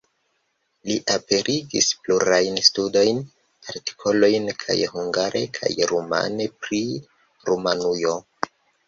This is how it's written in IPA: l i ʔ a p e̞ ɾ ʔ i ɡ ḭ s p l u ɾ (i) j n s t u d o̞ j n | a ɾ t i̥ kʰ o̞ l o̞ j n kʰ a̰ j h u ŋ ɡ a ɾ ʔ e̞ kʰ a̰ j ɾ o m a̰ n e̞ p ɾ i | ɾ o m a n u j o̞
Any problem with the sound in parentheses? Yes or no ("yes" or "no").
yes